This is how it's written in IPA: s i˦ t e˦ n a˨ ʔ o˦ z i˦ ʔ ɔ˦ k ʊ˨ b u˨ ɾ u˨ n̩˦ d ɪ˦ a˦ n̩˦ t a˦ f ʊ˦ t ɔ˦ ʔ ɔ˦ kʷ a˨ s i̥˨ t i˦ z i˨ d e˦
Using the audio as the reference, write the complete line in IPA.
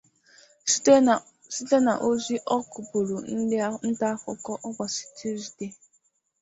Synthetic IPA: s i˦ t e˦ n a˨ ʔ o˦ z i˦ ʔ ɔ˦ k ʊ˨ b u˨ ɾ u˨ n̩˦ d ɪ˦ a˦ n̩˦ t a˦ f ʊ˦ k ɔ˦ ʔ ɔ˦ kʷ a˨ s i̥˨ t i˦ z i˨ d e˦